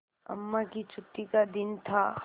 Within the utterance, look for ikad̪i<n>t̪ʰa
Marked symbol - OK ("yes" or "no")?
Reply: yes